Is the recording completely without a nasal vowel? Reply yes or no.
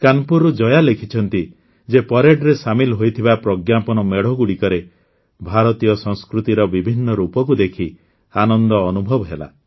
yes